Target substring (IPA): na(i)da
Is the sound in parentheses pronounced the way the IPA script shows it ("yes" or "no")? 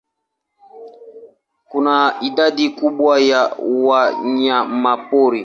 yes